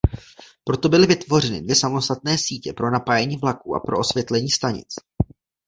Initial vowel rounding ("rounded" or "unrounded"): rounded